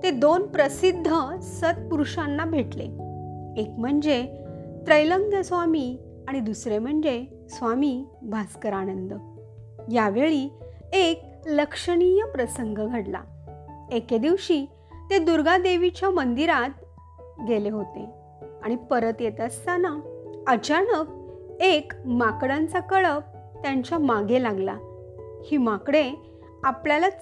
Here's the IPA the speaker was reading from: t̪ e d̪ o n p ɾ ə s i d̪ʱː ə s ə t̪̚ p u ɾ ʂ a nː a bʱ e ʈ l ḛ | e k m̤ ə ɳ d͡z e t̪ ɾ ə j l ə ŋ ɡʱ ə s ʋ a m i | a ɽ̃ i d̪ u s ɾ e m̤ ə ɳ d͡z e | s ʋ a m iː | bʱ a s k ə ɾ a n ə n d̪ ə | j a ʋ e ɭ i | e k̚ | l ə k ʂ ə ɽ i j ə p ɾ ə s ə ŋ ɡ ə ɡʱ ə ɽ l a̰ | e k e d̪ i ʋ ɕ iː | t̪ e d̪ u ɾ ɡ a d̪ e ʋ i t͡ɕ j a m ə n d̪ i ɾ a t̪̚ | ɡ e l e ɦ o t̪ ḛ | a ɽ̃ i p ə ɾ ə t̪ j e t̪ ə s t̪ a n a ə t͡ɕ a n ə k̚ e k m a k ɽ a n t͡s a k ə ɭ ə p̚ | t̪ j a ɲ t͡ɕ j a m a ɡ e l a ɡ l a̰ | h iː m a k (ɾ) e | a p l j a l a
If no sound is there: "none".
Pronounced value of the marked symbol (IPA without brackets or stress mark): ɽ